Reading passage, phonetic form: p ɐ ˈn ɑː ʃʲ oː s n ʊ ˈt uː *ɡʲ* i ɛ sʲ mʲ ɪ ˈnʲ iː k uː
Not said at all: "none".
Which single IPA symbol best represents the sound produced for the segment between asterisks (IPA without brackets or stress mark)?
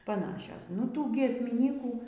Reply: ɡʲ